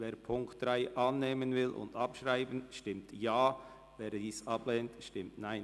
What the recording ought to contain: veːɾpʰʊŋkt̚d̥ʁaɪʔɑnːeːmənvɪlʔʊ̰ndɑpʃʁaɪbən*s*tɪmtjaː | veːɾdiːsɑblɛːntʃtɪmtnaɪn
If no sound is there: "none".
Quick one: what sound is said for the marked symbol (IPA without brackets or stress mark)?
ʃ